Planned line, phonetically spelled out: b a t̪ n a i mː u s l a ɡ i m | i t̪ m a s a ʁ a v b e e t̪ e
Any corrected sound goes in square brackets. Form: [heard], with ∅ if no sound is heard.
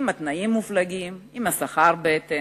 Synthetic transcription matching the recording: [m] a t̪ n a i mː u [f] l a ɡ i m | i [∅] m a s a [χ] a [ʁ] b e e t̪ e